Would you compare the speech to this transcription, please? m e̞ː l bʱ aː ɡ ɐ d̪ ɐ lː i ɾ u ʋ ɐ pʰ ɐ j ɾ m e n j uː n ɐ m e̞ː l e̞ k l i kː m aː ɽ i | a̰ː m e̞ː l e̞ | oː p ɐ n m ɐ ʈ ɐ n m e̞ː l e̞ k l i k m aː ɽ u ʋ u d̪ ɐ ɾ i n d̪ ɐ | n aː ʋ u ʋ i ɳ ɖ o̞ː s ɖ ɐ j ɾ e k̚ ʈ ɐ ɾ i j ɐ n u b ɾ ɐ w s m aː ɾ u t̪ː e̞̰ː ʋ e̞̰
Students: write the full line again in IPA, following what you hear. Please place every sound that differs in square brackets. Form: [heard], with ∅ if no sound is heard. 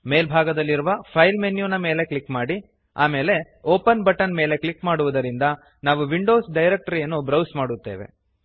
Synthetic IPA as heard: m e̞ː l bʱ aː ɡ ɐ d̪ ɐ lː i ɾ u ʋ ɐ pʰ ɐ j [l] m e n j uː n ɐ m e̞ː l e̞ k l i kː m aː ɽ i | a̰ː m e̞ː l e̞ | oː p ɐ n [b] ɐ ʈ ɐ n m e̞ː l e̞ k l i k m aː ɽ u ʋ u d̪ ɐ ɾ i n d̪ ɐ | n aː ʋ u ʋ i ɳ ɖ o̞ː s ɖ ɐ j ɾ e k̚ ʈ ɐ ɾ i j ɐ [nː] u b ɾ ɐ w s m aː [ɽ] u t̪ː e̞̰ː ʋ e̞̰